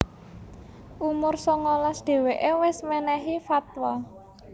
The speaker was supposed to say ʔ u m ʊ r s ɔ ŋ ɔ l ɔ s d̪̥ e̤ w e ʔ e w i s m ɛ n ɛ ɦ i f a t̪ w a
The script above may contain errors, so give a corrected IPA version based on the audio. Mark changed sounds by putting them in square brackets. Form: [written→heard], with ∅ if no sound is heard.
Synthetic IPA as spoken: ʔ u m ʊ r s ɔ ŋ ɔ l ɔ s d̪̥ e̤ w e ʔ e w [i→ɪ] s m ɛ n ɛ ɦ i f a t̪ w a